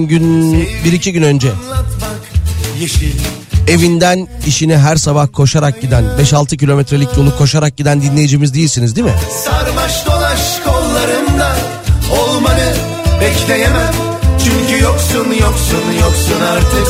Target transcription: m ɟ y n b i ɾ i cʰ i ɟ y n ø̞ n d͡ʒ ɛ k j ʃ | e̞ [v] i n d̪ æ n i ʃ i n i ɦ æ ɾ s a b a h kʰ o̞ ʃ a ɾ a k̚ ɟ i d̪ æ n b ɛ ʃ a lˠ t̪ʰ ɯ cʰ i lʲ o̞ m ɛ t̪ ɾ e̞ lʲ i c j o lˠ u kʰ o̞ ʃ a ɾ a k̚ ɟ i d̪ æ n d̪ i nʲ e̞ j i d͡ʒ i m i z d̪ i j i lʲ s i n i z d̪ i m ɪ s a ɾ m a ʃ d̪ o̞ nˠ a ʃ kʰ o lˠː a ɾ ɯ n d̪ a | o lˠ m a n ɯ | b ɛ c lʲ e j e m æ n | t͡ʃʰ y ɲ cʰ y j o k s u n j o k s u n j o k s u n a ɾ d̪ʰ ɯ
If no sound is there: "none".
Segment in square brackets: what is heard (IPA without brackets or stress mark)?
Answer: v